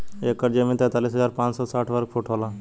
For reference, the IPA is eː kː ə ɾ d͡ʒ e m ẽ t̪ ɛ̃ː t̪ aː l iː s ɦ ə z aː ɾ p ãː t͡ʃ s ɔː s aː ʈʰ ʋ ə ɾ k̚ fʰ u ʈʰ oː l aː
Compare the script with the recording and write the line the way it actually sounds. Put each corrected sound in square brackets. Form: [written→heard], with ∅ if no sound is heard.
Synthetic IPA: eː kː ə ɾ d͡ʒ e m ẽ t̪ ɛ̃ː t̪ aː l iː s ɦ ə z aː ɾ p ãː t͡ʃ s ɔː s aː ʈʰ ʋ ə ɾ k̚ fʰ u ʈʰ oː l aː